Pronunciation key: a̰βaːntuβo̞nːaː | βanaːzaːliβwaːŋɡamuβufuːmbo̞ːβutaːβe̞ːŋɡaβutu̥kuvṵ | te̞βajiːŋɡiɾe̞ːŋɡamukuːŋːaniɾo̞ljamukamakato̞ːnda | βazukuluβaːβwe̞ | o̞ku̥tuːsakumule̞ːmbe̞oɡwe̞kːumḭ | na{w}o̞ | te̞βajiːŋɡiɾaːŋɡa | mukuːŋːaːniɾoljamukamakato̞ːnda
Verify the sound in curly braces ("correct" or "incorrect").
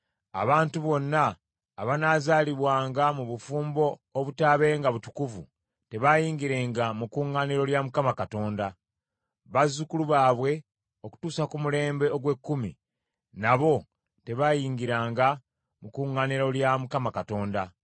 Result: incorrect